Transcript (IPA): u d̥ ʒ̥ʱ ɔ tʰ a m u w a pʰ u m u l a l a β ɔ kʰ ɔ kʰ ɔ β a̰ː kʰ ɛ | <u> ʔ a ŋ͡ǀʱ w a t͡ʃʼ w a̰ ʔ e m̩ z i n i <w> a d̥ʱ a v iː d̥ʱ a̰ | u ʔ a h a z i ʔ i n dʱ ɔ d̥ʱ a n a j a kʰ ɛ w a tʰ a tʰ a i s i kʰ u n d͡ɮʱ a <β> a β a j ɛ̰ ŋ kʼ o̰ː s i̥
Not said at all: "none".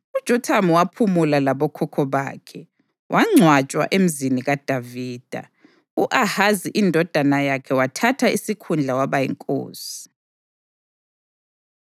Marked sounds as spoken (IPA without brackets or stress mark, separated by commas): w, ɣ, w